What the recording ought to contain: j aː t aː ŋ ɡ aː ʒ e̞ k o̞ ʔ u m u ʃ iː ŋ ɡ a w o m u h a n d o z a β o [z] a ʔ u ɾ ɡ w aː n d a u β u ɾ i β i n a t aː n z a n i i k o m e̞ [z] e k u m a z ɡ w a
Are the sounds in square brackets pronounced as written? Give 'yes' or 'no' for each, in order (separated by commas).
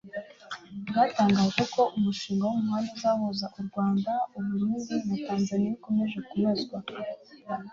yes, no